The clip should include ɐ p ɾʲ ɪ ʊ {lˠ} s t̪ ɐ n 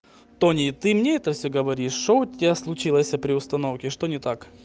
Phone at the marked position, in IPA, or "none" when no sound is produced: none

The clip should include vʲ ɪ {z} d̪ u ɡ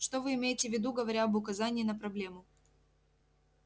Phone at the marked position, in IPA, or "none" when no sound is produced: none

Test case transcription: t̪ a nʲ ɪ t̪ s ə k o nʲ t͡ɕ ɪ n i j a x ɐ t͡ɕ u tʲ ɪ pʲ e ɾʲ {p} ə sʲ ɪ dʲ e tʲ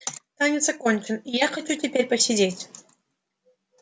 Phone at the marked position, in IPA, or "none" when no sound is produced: p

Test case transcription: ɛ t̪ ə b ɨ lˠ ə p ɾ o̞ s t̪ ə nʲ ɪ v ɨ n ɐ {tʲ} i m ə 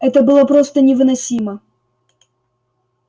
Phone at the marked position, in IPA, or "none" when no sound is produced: sʲ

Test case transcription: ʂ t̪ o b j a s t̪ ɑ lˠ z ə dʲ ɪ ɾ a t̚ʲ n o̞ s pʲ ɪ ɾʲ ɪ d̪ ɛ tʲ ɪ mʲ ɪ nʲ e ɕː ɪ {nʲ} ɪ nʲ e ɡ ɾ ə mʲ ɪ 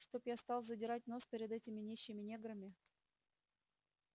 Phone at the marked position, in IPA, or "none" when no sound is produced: mʲ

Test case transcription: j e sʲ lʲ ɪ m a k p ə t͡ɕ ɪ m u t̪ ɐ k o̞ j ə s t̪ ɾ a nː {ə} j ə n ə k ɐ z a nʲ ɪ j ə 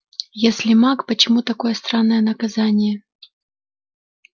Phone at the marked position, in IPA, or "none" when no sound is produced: ə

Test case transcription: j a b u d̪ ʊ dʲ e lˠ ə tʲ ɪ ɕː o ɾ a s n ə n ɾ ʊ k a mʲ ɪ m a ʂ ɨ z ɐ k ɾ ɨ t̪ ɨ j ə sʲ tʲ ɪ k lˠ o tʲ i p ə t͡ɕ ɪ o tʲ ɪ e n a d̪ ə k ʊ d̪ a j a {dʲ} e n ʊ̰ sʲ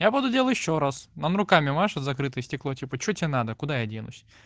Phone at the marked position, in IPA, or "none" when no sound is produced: dʲ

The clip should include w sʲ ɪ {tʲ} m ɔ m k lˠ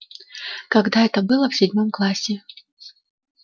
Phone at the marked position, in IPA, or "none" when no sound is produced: dʲ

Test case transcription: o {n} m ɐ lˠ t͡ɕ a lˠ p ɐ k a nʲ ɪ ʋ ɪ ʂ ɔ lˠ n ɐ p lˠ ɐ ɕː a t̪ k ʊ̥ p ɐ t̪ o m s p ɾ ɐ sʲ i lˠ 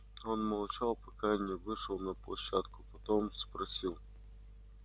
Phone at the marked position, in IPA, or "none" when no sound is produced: n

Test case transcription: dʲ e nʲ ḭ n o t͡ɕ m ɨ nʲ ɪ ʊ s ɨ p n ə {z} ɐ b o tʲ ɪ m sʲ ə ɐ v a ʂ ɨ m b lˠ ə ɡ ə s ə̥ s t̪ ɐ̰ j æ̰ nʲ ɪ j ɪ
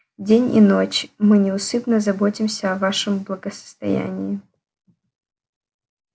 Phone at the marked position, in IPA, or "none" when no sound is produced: z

